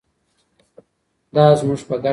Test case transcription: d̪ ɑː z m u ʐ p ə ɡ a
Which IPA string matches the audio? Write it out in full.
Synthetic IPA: d̪ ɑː z m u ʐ p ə ɡ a